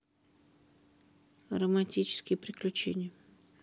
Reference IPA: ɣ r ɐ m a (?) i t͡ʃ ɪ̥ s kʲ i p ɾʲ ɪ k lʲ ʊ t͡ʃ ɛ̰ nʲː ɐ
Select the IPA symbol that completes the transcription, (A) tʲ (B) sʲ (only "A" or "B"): A